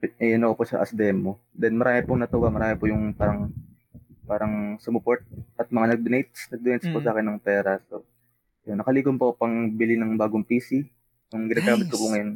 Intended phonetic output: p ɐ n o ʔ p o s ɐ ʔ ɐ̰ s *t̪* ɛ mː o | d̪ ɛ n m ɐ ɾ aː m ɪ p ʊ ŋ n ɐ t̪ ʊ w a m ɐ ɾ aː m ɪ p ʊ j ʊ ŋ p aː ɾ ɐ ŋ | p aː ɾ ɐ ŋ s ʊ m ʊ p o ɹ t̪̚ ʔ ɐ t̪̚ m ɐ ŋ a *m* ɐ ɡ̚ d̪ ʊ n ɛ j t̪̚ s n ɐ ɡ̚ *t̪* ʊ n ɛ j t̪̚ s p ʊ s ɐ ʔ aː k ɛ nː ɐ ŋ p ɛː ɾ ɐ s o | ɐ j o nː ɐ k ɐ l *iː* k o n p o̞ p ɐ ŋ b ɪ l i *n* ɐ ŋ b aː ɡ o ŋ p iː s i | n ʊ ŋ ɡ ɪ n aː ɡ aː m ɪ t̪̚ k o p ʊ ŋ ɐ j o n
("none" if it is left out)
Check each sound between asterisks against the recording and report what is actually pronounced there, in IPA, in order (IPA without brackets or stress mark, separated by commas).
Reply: d̪, n, d̪, iː, n